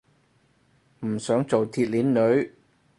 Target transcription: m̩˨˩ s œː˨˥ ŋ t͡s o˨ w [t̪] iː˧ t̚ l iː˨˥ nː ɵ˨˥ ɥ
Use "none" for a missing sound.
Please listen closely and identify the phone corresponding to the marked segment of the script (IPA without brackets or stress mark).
t̪ʰ